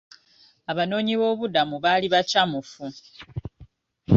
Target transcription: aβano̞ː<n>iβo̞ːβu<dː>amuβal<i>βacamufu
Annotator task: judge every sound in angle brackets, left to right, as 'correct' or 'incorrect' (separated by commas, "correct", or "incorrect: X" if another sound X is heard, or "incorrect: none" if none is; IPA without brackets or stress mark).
incorrect: ɲ, incorrect: d, correct